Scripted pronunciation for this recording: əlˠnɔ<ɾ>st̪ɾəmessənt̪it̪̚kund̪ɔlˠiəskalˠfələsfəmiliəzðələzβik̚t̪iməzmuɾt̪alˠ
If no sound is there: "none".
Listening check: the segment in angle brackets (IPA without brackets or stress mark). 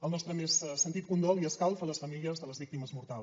none